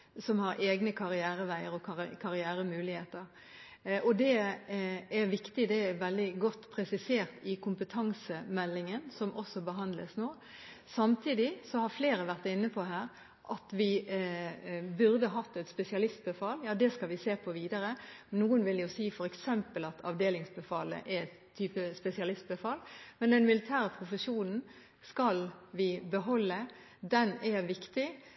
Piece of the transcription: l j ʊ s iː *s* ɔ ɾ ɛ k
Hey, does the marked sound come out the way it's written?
no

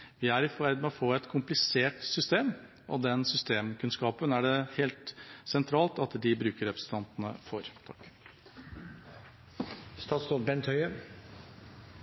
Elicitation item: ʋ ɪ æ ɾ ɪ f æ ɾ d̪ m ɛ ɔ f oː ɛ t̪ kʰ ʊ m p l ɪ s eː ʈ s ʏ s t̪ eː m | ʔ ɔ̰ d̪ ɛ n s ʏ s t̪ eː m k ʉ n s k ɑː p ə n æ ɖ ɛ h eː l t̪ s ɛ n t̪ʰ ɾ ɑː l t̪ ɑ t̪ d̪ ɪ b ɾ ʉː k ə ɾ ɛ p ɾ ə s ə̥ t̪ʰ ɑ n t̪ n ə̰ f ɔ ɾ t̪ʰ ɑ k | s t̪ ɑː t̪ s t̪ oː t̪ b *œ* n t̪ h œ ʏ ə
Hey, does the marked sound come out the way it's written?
no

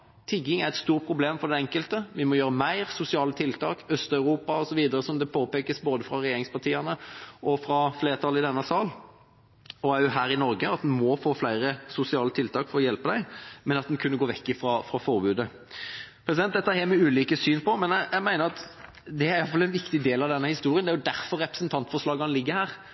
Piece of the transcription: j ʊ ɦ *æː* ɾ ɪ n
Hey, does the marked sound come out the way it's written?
yes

